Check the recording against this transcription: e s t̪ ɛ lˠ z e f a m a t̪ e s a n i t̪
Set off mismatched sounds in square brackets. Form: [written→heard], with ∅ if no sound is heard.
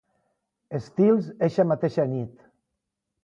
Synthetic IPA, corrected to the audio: e s t̪ [ɛ→i] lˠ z e [f→ʃ] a m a t̪ e [s→ʃ] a n i t̪